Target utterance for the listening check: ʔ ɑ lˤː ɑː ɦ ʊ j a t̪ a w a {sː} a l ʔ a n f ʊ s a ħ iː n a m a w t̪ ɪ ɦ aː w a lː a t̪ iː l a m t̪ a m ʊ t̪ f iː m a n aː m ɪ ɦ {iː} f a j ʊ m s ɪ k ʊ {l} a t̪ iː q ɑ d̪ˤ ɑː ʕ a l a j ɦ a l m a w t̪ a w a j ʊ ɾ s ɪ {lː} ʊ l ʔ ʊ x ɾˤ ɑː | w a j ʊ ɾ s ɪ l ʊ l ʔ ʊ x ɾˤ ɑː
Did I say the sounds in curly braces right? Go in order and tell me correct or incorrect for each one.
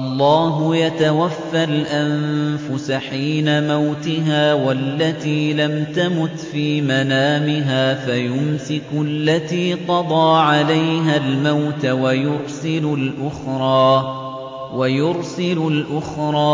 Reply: incorrect: fː, incorrect: aː, incorrect: lː, incorrect: l

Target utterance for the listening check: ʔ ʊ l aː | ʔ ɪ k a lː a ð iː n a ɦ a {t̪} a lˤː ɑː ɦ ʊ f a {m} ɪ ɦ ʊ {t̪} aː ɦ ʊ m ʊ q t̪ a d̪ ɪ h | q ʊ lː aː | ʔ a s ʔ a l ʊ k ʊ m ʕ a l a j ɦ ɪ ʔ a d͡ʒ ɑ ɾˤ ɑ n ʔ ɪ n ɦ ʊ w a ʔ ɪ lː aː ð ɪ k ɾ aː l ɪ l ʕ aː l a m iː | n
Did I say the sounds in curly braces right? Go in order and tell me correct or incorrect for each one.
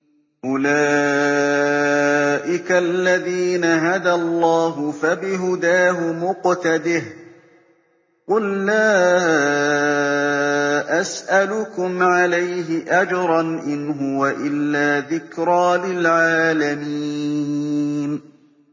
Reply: incorrect: d̪, incorrect: b, incorrect: d̪

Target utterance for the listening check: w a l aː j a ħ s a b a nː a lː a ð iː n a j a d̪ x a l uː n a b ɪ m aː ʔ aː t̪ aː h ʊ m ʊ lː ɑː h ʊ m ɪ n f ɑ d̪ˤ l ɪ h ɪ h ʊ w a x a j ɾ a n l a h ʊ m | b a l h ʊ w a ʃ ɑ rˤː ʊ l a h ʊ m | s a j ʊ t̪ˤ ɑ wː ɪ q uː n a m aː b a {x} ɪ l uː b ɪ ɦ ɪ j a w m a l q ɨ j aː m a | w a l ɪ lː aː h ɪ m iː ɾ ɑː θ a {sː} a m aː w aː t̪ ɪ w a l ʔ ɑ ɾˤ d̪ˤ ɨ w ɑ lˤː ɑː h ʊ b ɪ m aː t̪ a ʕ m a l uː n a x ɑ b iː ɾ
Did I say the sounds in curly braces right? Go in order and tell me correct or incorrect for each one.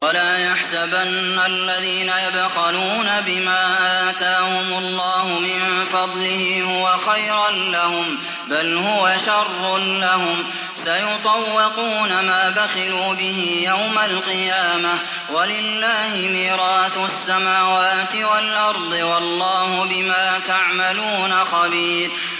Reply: correct, correct

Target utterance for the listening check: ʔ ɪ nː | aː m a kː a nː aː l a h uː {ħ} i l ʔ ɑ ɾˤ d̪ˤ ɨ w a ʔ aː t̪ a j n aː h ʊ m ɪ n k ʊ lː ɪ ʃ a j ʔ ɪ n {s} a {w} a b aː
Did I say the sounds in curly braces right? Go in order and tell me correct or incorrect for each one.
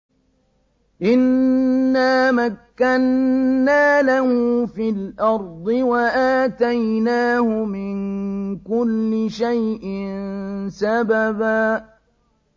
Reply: incorrect: f, correct, incorrect: b

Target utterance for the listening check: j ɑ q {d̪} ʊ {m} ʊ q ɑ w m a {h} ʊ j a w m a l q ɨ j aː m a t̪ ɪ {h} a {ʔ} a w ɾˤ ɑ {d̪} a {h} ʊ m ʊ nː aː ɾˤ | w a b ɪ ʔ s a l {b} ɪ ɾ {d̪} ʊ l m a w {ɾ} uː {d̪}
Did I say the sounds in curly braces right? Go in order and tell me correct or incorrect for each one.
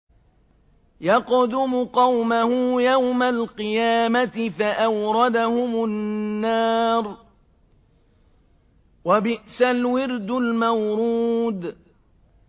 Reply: correct, correct, correct, incorrect: f, correct, correct, correct, incorrect: w, correct, correct, correct

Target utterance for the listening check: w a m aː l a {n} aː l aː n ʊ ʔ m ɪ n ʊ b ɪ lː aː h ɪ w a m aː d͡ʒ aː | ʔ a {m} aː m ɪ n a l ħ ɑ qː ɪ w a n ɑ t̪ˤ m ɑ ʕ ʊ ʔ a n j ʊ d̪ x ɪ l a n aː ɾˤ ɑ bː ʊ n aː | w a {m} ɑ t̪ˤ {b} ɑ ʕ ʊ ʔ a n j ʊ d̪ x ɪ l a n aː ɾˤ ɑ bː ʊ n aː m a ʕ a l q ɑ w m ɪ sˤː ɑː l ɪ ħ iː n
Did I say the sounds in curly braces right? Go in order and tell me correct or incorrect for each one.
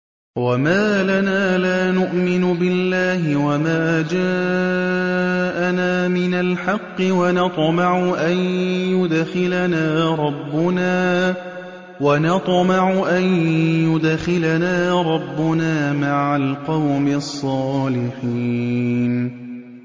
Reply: correct, incorrect: n, incorrect: n, incorrect: m

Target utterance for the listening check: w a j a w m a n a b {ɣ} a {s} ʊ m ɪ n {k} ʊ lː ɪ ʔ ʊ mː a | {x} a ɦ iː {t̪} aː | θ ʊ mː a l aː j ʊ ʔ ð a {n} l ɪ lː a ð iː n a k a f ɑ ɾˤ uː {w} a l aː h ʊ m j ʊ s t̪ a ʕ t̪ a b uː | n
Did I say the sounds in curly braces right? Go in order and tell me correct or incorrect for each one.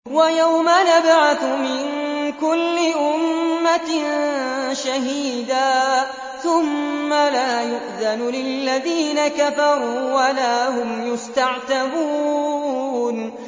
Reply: incorrect: ʕ, incorrect: θ, correct, incorrect: ʃ, incorrect: d̪, correct, correct

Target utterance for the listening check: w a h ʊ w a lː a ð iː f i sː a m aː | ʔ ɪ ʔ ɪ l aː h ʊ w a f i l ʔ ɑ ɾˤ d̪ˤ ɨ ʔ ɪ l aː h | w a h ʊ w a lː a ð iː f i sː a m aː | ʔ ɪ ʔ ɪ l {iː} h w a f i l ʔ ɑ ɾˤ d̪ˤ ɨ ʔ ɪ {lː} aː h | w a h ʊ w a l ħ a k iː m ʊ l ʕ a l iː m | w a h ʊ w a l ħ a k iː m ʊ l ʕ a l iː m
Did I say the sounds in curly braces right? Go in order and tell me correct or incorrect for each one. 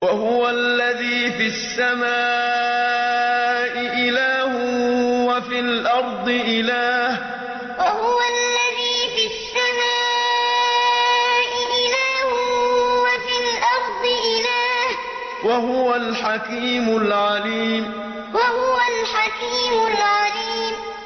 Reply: incorrect: aː, incorrect: l

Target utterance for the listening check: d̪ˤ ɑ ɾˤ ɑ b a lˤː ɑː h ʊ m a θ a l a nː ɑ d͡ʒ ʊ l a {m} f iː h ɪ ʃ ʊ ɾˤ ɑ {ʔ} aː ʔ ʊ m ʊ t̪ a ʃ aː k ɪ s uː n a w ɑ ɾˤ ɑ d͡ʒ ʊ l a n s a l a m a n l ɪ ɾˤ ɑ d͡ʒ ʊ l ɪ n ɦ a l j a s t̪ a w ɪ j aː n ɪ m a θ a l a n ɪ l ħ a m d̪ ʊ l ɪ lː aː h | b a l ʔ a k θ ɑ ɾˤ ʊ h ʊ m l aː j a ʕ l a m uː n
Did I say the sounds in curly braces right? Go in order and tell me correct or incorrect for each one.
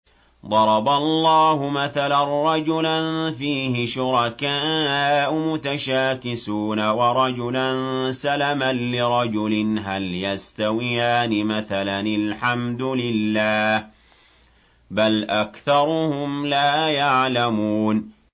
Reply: incorrect: n, incorrect: k

